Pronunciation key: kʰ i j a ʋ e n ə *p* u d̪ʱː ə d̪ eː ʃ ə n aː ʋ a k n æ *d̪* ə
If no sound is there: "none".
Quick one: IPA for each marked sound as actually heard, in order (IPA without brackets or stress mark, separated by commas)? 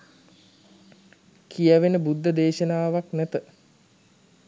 b, t̪